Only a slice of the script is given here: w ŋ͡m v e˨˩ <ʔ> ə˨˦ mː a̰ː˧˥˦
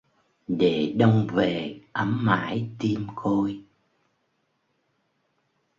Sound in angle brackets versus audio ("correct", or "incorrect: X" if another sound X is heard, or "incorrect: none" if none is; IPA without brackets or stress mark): correct